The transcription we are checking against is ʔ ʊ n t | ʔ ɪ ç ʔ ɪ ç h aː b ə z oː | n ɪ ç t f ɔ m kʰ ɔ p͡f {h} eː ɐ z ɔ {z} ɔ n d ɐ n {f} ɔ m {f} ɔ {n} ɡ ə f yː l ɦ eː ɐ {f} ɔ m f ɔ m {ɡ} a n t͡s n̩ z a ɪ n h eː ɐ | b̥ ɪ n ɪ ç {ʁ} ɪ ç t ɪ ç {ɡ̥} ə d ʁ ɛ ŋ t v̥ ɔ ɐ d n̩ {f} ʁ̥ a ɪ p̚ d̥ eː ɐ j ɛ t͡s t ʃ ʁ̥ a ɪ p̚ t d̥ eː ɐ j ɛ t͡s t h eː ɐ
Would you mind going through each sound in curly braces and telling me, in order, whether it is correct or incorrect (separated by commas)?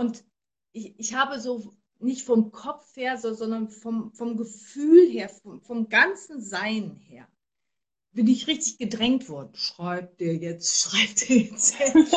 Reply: correct, correct, correct, correct, incorrect, correct, correct, correct, correct, incorrect